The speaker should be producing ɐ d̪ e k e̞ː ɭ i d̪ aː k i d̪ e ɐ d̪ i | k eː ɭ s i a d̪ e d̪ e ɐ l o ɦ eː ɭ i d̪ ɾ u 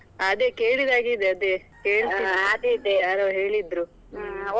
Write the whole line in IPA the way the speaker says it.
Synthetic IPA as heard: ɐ d̪ e k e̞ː ɭ i d̪ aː ɡ i d̪ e ɐ d̪ e | k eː ɭ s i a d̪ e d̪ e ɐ ɾ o ɦ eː ɭ i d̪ ɾ u